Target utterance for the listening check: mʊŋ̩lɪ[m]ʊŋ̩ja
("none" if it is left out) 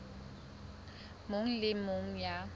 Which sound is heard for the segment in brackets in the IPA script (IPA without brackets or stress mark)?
m